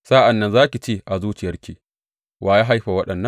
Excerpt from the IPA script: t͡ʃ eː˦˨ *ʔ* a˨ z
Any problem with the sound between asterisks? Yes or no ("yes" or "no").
no